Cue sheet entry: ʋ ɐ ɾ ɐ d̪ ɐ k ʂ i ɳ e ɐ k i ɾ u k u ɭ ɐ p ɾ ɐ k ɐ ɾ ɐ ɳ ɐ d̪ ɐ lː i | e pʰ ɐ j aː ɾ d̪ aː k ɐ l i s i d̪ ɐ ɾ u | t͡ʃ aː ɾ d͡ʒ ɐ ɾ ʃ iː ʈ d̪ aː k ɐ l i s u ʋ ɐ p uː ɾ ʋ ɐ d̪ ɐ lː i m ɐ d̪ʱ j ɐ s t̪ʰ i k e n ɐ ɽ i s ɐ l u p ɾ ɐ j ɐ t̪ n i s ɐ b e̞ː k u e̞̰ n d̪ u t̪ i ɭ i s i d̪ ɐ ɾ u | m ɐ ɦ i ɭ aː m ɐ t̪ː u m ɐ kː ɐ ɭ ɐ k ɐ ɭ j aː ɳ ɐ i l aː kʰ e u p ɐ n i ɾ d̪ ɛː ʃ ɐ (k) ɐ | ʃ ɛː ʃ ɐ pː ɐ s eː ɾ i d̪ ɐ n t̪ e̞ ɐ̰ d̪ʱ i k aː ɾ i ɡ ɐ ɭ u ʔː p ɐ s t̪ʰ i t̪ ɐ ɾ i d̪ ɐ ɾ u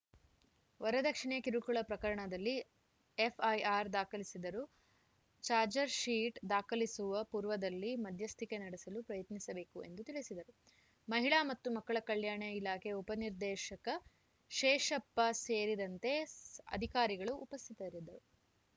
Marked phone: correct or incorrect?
correct